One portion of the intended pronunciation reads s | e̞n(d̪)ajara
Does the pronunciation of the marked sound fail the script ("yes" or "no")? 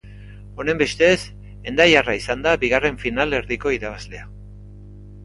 no